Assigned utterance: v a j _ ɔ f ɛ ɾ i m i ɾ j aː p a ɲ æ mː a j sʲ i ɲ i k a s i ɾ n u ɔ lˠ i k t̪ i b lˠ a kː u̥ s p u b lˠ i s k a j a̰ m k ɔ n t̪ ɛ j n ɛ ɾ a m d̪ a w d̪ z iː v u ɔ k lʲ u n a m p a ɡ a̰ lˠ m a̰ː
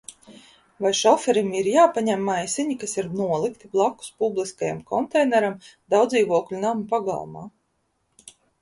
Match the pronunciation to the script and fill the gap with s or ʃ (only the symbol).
ʃ